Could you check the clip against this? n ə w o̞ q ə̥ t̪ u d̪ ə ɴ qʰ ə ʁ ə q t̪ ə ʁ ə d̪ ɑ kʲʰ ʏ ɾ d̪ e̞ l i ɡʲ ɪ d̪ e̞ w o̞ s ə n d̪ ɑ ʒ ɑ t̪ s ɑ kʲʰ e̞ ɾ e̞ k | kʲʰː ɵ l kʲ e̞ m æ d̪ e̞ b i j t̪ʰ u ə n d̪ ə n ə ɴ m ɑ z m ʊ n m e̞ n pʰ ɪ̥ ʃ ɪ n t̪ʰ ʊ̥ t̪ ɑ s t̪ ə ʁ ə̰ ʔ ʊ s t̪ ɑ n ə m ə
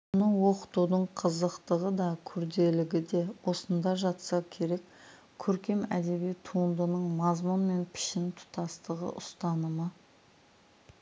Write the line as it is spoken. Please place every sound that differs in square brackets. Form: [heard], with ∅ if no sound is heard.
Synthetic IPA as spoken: n ə w o̞ q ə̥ t̪ u d̪ ə ɴ qʰ ə [z] ə q t̪ ə ʁ ə d̪ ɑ kʲʰ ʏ ɾ d̪ e̞ l [ɪ] ɡʲ ɪ d̪ e̞ w o̞ s ə n d̪ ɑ ʒ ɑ t̪ s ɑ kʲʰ e̞ ɾ e̞ k | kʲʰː ɵ [ɾ] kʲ e̞ m æ d̪ e̞ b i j t̪ʰ u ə n d̪ ə n ə ɴ m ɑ z m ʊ n m e̞ n pʰ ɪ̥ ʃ ɪ n t̪ʰ ʊ̥ t̪ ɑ s t̪ ə ʁ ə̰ ʔ ʊ s t̪ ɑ n ə m ə